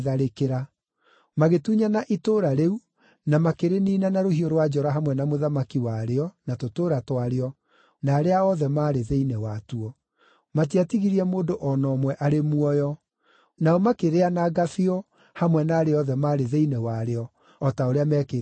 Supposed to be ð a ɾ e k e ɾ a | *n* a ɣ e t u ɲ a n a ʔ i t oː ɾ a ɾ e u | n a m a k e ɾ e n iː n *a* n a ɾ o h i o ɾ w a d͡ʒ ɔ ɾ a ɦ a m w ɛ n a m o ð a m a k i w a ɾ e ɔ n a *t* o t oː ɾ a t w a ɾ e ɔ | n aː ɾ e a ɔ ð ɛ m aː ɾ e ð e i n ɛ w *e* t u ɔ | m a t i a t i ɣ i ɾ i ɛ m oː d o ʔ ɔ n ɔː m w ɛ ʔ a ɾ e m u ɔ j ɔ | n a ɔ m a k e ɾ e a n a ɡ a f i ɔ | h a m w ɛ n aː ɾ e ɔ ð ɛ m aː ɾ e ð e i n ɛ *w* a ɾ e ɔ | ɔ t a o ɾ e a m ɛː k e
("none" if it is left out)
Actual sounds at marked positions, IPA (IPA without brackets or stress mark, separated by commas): m, a, t, a, w